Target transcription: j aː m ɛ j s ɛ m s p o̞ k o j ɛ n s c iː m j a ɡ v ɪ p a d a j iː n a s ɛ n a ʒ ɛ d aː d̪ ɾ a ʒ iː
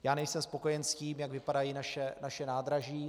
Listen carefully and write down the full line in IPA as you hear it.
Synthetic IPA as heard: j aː n ɛ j s ɛ m s p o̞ k o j ɛ n s c iː m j a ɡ v ɪ p a d a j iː n a ʃ ɛ n a ʃ ɛ n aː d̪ ɾ a ʒ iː

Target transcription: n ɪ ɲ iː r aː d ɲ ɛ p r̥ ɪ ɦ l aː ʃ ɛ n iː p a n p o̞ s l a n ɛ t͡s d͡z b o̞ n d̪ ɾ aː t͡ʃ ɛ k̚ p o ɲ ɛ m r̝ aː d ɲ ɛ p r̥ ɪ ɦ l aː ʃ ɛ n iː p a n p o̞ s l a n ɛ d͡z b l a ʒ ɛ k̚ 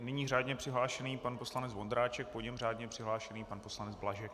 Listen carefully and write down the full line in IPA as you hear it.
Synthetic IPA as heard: n ɪ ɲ iː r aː d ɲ ɛ p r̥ ɪ ɦ l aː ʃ ɛ n iː p a n p o̞ s l a n ɛ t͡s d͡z v o̞ n d̪ ɾ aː t͡ʃ ɛ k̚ p o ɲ ɛ m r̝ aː d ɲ ɛ p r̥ ɪ ɦ l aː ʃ ɛ n iː p a n p o̞ s l a n ɛ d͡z b l a ʒ ɛ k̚

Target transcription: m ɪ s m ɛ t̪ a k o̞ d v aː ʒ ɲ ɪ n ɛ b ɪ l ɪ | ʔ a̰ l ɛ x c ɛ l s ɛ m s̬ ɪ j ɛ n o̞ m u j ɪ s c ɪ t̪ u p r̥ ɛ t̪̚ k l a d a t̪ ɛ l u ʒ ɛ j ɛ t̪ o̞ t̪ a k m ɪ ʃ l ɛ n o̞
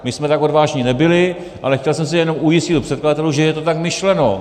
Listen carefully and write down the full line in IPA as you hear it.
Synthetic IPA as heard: m ɪ s m ɛ t̪ a k o̞ d v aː ʒ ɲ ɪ n ɛ b ɪ l ɪ | ʔ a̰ l ɛ x c ɛ l s ɛ m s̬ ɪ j ɛ n o̞ m u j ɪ s c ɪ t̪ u p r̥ ɛ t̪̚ k l a d a t̪ ɛ l u ʒ ɛ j ɛ t̪ o̞ t̪ a k m ɪ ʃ l ɛ n o̞

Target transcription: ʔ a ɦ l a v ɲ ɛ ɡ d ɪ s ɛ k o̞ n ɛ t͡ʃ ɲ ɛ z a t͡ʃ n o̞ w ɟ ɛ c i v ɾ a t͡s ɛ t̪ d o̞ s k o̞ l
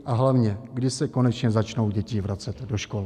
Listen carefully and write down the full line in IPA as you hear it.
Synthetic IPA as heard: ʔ a ɦ l a v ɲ ɛ ɡ d ɪ s ɛ k o̞ n ɛ t͡ʃ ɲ ɛ z a t͡ʃ n o̞ w ɟ ɛ c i v ɾ a t͡s ɛ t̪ d o̞ ʃ k o̞ l

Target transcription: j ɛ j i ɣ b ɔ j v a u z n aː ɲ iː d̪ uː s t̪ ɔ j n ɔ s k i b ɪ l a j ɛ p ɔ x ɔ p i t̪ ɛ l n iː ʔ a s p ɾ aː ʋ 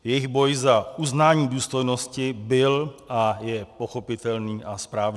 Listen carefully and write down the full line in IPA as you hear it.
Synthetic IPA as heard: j ɛ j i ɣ b ɔ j z a u z n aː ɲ iː d̪ uː s t̪ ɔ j n ɔ s c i b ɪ l a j ɛ p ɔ x ɔ p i t̪ ɛ l n iː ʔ a s p ɾ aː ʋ

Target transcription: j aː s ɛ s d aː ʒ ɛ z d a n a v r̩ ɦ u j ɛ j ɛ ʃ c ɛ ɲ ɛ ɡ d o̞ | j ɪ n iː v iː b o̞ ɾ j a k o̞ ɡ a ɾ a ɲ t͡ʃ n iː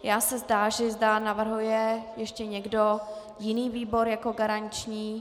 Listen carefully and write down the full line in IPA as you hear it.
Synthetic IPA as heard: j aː s ɛ z d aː ʒ ɛ z d a n a v r̩ ɦ u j ɛ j ɛ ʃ c ɛ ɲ ɛ ɡ d o̞ | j ɪ n iː v iː b o̞ ɾ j a k o̞ ɡ a ɾ a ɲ t͡ʃ ɲ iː

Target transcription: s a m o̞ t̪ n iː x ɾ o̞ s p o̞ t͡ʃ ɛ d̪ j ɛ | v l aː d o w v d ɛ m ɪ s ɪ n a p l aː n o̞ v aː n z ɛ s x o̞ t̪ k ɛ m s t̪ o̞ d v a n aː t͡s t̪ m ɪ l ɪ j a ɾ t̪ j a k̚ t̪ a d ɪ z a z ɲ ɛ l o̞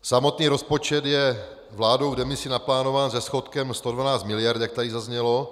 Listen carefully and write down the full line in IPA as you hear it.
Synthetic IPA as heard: s a m o̞ t̪ n iː ɾ o̞ s p o̞ t͡ʃ ɛ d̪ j ɛ | v l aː d o w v d ɛ m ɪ s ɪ n a p l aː n o̞ v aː n z ɛ s x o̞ t̪ k ɛ m s t̪ o̞ d v a n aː t͡s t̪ m ɪ l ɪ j a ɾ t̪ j a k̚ t̪ a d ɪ z a z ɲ ɛ l o̞

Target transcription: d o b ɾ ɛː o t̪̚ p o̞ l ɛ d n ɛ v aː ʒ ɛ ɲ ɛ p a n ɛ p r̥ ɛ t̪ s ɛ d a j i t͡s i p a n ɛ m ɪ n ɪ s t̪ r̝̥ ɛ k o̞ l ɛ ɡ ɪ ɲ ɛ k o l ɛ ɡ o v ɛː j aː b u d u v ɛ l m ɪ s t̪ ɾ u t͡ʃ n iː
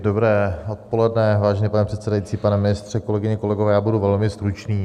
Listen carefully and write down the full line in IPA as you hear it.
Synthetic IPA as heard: d o b ɾ ɛː o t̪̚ p o̞ l ɛ d n ɛ v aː ʒ ɛ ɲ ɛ p a n ɛ p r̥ ɛ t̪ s ɛ d a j i t͡s iː p a n ɛ m ɪ n ɪ s t̪ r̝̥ ɛ k o̞ l ɛ ɡ ɪ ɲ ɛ k o l ɛ ɡ o v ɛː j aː b u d u v ɛ l m ɪ s t̪ ɾ u t͡ʃ n iː

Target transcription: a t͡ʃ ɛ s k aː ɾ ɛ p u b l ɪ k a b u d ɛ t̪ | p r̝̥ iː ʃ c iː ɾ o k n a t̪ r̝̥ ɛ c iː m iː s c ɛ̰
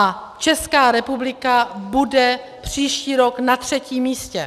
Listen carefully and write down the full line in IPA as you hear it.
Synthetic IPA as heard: a t͡ʃ ɛ s k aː ɾ ɛ p u b l ɪ k a b u d ɛ | p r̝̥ iː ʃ c iː ɾ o k n a t̪ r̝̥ ɛ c iː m iː s c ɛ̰

